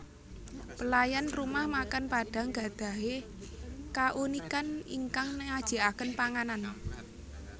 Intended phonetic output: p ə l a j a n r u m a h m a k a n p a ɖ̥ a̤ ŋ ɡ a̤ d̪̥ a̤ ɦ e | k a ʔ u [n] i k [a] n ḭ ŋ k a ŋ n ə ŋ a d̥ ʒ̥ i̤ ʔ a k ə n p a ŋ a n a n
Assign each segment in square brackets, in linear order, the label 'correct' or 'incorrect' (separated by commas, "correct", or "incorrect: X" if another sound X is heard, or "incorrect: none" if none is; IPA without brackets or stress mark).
correct, correct